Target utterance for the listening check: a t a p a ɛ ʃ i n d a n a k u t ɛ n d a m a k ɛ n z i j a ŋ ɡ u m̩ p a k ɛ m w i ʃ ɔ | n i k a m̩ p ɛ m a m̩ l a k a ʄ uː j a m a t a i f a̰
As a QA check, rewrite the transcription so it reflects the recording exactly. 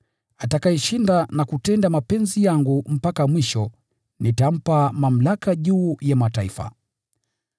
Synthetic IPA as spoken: a t a k a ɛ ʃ i n d a n a k u t ɛ n d a m a p ɛ n z i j a ŋ ɡ u m̩ p a k a m w i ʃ ɔ | n i t a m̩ p a m a m̩ l a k a ʄ uː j a m a t a i f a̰